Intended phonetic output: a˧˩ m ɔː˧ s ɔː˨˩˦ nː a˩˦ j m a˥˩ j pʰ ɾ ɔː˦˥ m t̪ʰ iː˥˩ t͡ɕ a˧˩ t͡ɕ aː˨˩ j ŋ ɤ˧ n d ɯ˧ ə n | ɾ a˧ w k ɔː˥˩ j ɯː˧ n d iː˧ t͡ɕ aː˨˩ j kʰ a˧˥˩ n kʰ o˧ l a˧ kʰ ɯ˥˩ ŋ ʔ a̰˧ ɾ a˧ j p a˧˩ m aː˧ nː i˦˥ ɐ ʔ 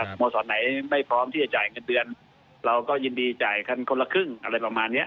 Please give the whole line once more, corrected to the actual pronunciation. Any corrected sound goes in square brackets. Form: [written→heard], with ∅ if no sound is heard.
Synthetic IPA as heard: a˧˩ m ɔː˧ s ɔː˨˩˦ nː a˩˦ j m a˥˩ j pʰ ɾ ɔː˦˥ m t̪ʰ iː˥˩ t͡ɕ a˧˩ t͡ɕ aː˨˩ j ŋ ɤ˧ n d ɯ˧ ə n | ɾ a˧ w k ɔː˥˩ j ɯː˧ n d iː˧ t͡ɕ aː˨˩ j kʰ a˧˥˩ n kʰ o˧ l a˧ kʰ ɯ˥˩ ŋ ʔ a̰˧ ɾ a˧ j p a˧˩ m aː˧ nː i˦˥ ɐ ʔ